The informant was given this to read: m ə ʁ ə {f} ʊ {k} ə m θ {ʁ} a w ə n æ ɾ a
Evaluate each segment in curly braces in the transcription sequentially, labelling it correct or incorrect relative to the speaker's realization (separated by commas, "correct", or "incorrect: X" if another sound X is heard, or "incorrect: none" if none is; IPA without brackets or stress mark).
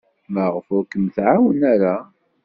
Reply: correct, correct, incorrect: ʕ